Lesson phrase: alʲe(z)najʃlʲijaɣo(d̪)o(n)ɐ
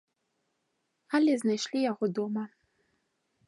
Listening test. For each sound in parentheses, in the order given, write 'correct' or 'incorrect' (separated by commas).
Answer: correct, correct, incorrect